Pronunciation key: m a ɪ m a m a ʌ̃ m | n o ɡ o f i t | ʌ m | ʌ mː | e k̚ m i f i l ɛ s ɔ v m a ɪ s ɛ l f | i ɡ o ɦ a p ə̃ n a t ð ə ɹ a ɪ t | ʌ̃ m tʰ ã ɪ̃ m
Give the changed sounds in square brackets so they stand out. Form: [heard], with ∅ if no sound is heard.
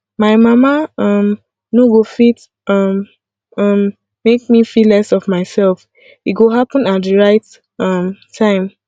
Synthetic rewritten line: m a ɪ m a m a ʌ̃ m | n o ɡ o f i t | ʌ m | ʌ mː | e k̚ m i f i l ɛ s ɔ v m a ɪ s ɛ l f | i ɡ o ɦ a p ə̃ n a t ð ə ɹ a ɪ t | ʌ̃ m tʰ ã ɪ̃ m